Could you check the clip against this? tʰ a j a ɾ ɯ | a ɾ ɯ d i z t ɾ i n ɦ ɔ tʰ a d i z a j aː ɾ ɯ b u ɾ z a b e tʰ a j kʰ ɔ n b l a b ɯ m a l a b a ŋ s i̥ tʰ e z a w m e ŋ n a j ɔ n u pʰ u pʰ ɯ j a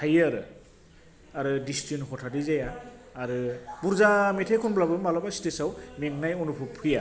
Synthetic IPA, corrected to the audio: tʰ a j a ɾ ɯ | a ɾ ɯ d i s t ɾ i n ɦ ɔ tʰ a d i z a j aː ɾ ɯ b u ɾ z a m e tʰ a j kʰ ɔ n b l a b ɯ m a l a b a s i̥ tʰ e s a w m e ŋ n a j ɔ n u pʰ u pʰ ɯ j a